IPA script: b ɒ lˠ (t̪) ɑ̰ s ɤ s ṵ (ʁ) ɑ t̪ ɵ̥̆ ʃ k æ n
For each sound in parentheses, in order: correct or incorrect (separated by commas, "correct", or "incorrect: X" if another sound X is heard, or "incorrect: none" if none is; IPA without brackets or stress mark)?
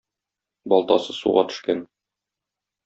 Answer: correct, correct